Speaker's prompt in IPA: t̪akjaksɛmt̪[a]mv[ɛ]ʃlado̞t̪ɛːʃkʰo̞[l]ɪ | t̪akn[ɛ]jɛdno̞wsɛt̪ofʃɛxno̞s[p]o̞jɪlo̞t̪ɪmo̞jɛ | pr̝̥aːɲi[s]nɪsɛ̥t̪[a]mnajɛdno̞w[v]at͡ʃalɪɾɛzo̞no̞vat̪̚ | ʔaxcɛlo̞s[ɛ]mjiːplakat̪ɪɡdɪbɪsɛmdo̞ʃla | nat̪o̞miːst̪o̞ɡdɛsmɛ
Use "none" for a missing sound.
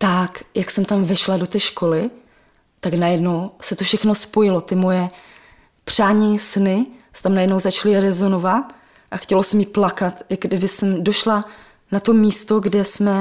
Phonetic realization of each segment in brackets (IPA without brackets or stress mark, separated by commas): a, ɛ, l, a, p, s, a, z, ɛ